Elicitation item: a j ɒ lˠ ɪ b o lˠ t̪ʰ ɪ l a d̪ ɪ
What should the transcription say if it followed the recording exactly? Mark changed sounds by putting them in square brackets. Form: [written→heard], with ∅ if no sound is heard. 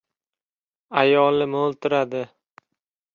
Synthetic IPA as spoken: a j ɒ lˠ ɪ [b→m] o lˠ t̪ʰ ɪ [l→ɾ] a d̪ ɪ